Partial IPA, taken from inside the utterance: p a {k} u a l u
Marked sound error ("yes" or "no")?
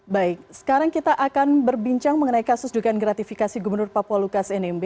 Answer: yes